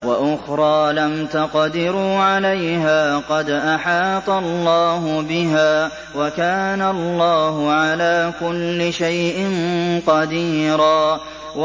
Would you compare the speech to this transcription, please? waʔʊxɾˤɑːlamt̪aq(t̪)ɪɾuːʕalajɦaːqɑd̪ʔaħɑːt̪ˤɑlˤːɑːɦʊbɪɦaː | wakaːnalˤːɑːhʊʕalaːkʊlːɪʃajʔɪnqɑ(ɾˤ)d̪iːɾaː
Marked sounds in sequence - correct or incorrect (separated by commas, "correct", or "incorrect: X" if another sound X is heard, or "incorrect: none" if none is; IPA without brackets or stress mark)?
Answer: incorrect: d̪, incorrect: none